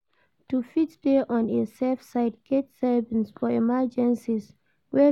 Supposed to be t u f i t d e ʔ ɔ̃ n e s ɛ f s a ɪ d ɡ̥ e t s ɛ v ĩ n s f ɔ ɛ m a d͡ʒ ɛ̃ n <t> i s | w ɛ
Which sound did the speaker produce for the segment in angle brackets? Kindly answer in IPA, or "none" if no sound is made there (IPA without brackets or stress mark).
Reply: s